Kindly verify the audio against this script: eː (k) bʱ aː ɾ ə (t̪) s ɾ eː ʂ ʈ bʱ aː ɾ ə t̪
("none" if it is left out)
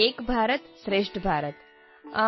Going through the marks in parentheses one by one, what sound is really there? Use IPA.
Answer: k, t̪

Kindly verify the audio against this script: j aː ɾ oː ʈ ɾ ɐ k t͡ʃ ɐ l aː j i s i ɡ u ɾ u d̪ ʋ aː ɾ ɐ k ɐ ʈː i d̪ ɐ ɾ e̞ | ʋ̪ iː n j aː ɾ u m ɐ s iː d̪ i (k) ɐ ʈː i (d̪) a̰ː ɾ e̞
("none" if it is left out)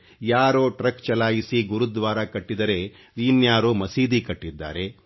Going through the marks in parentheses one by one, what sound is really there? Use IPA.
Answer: k, d̪ː

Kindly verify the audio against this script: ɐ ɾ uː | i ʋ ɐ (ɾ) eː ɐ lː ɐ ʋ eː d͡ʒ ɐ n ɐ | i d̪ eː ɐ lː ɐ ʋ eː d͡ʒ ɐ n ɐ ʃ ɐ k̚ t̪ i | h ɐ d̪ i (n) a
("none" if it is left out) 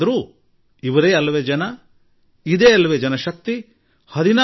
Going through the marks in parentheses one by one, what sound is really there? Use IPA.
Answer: ɾ, n

